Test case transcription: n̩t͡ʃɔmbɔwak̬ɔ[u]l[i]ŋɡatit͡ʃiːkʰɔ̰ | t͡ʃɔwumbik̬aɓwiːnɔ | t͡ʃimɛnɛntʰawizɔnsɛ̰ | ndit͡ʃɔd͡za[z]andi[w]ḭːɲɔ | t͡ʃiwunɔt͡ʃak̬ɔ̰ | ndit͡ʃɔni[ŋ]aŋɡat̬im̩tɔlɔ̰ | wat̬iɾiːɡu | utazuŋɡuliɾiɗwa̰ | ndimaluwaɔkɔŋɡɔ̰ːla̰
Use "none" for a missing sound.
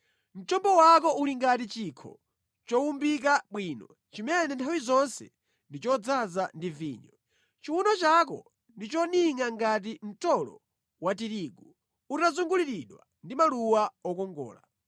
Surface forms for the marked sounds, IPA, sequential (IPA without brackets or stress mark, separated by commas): u, i, z, v, ŋ